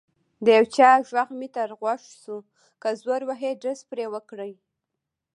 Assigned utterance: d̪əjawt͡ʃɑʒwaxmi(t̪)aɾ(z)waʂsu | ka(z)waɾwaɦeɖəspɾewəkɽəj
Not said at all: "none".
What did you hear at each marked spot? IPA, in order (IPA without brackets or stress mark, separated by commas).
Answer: t̪, ɣ, z